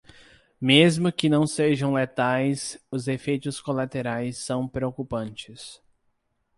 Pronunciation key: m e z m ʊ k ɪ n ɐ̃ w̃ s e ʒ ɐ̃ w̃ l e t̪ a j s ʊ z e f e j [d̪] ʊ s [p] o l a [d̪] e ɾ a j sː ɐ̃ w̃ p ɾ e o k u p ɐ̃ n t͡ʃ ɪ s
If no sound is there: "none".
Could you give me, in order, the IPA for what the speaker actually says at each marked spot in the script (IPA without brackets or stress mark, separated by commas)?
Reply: t̪, k, t̪